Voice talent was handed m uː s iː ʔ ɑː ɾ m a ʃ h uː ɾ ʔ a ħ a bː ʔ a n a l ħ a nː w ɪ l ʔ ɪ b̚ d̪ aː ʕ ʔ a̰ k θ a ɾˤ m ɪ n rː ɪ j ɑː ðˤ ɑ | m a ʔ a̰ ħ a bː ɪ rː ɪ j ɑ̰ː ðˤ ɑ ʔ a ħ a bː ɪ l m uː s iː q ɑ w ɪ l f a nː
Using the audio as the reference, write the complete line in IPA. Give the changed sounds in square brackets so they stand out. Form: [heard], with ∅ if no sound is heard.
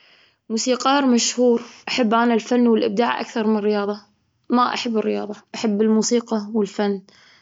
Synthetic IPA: m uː s iː [q] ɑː ɾ m a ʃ h uː ɾ ʔ a ħ a bː ʔ a n a l [f] a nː w ɪ l ʔ ɪ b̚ d̪ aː ʕ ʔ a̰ k θ [ɑ] ɾˤ m ɪ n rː ɪ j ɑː ðˤ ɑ | m a ʔ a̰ ħ a bː ɪ rː ɪ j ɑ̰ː ðˤ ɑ ʔ a ħ a bː ɪ l m uː s iː q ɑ w ɪ l f a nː